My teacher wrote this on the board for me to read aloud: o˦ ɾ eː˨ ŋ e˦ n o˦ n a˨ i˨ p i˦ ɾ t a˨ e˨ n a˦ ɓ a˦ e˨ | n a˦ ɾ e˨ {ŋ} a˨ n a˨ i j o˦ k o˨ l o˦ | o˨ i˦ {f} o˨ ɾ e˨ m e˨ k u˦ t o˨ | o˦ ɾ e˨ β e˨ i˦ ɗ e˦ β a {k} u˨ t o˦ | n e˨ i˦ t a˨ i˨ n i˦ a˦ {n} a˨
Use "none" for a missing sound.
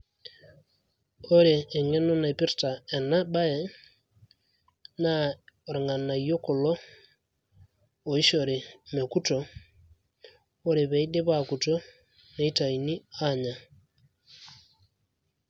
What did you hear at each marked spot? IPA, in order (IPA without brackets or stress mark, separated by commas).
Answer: ŋ, ʃ, k, ɲ